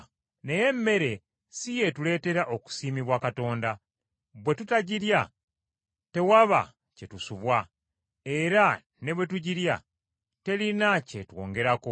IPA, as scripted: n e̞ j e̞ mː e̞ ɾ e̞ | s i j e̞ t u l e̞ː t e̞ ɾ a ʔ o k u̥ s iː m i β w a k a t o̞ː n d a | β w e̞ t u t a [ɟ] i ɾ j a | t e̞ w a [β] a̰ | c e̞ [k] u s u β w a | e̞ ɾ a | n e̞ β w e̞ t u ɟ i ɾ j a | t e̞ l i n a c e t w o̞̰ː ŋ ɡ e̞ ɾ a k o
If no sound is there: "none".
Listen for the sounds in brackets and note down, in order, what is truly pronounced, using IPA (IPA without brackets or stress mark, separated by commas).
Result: ɟ, β, t